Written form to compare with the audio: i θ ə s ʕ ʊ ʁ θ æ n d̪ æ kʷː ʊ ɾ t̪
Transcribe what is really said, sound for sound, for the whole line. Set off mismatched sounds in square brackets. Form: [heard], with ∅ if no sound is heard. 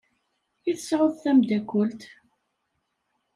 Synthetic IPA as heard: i θ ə s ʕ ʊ [ð] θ æ [m] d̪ æ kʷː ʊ [l] t̪